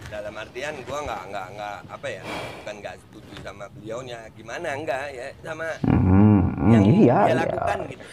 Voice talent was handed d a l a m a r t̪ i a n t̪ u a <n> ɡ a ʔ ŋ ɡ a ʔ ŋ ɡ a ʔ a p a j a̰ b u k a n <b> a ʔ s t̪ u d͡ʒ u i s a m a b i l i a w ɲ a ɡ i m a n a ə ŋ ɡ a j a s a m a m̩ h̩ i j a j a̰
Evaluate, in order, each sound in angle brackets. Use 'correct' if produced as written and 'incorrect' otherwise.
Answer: incorrect, incorrect

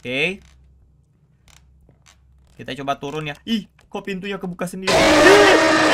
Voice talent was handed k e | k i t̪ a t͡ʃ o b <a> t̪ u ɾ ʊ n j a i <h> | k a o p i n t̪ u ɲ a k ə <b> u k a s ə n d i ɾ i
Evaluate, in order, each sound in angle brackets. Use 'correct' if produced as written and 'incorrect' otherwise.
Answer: correct, correct, correct

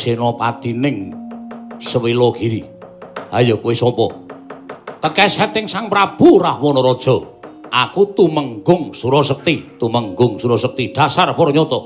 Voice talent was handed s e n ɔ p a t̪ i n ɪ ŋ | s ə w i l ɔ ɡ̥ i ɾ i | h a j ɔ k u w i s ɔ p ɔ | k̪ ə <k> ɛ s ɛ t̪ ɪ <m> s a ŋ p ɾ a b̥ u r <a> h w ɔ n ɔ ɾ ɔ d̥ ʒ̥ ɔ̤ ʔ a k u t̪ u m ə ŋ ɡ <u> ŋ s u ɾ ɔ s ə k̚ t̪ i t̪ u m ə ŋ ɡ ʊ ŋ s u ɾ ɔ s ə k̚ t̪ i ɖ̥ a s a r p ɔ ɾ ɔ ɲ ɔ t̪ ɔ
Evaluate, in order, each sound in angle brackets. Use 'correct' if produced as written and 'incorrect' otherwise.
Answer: correct, incorrect, correct, incorrect

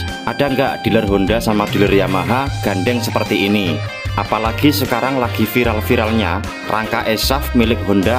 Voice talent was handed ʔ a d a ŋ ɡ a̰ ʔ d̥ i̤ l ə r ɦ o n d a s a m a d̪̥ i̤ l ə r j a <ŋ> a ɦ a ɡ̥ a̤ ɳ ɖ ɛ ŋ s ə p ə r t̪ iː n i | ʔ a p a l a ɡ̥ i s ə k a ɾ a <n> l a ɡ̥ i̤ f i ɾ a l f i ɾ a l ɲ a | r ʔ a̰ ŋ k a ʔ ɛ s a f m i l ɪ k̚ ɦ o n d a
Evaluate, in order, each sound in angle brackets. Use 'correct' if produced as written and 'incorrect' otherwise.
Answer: incorrect, incorrect

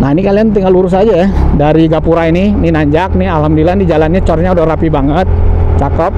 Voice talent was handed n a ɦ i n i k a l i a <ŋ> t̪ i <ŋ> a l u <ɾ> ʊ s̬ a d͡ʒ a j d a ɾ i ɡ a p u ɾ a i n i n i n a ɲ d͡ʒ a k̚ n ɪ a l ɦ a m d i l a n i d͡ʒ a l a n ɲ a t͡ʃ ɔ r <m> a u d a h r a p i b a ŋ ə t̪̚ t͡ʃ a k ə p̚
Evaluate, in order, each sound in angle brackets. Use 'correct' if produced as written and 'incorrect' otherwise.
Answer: incorrect, correct, correct, incorrect

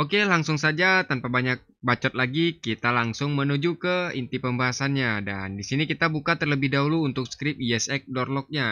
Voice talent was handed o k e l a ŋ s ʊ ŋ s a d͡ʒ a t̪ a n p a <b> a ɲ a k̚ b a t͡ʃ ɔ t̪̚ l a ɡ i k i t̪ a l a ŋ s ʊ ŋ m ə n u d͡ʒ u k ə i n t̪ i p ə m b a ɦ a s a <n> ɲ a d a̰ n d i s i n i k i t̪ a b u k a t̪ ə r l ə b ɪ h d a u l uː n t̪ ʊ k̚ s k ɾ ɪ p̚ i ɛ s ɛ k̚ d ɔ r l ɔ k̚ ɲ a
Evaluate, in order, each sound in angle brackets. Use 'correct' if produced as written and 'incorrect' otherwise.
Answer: correct, correct

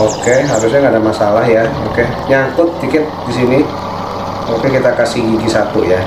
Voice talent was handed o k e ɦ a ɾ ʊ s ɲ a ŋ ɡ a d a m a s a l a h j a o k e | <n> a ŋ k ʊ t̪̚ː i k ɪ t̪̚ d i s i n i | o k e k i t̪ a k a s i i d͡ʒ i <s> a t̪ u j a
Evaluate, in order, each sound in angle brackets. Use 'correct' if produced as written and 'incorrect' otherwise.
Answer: incorrect, correct

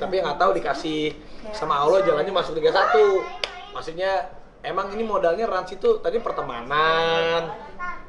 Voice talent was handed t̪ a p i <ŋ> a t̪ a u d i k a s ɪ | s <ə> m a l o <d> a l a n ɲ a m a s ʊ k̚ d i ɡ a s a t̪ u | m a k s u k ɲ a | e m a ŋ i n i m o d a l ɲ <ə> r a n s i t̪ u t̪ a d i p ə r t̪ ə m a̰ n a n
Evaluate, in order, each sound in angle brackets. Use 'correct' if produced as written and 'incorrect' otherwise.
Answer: correct, incorrect, incorrect, incorrect

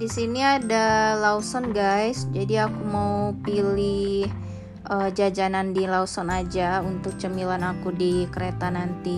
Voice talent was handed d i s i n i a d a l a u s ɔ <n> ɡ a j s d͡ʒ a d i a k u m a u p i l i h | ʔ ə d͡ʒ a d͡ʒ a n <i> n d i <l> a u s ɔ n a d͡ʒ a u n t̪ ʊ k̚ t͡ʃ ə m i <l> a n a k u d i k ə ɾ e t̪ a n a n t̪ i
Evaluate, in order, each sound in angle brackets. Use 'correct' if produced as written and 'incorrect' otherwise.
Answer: correct, incorrect, correct, correct

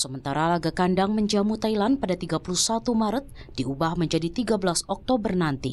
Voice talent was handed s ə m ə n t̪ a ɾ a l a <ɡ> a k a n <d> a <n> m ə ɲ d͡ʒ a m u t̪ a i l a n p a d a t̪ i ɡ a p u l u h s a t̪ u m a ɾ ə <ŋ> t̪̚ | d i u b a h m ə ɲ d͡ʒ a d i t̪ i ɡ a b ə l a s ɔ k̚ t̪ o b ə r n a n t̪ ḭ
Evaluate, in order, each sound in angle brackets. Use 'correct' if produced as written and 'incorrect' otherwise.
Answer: correct, correct, incorrect, incorrect

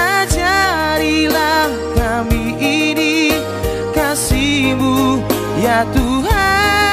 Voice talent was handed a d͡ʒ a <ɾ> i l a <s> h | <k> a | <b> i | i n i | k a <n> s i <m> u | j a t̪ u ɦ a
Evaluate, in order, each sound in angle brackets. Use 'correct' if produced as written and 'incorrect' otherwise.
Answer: correct, incorrect, correct, incorrect, incorrect, correct

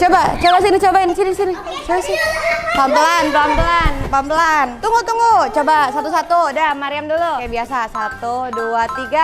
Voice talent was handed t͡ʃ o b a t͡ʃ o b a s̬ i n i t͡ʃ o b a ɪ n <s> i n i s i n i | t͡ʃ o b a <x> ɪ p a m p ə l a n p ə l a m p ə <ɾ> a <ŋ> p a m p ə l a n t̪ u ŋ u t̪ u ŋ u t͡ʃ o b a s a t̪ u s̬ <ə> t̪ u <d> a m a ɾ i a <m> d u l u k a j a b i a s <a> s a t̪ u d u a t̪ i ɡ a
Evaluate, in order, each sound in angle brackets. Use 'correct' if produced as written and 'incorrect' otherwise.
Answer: correct, incorrect, incorrect, incorrect, incorrect, correct, correct, correct

